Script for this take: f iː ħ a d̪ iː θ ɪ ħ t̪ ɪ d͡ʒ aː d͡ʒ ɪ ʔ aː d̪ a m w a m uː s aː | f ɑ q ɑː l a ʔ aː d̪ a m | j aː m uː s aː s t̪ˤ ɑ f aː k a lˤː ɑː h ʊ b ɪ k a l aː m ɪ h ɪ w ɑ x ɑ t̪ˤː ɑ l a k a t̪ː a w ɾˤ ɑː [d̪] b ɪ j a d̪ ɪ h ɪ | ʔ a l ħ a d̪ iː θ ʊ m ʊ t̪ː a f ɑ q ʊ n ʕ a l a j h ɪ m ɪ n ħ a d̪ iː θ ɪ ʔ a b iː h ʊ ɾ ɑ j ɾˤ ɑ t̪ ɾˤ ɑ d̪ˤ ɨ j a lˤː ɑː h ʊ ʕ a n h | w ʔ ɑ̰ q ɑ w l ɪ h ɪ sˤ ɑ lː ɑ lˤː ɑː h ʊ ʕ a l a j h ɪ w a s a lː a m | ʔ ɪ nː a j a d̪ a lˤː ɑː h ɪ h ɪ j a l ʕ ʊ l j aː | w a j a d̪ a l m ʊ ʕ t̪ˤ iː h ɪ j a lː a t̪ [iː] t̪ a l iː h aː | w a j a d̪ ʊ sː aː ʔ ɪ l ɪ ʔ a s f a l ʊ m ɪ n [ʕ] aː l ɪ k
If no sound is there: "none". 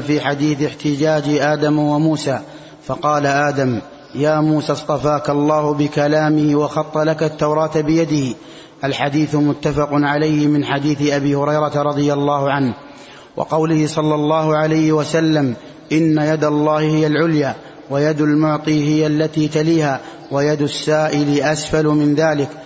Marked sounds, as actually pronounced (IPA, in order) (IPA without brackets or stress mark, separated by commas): t̪, iː, ð